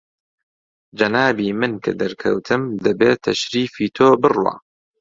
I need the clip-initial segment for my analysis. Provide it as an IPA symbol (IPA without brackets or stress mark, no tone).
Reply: d͡ʒ